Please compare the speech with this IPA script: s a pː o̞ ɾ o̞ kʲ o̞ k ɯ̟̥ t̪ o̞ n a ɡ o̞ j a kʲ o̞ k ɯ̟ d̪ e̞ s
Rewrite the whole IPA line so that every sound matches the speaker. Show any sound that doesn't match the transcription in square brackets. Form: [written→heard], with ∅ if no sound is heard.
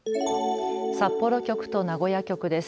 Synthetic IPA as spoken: s a pː o̞ ɾ o̞ kʲ o̞ k ɯ̟̥ t̪ o̞ n a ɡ o̞ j a kʲ o̞ k ɯ̟ d̪ e̞ s